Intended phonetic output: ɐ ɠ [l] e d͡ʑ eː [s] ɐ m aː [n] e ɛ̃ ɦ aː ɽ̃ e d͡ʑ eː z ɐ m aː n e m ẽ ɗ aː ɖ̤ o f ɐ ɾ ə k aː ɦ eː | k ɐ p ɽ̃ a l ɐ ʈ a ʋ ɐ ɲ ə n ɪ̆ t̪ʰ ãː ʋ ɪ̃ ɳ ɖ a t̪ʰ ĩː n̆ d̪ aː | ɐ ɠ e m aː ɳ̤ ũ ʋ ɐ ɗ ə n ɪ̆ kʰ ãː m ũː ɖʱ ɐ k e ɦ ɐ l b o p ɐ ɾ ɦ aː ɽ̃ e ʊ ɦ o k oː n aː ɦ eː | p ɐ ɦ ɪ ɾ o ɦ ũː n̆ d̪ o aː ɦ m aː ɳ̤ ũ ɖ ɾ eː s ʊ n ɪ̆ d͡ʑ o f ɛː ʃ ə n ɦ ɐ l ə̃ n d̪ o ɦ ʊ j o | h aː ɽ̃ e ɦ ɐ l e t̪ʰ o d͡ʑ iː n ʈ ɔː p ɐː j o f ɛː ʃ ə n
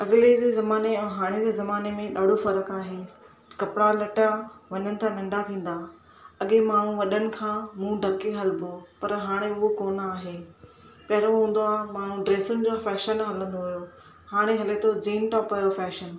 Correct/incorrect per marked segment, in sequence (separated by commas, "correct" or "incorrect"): correct, incorrect, correct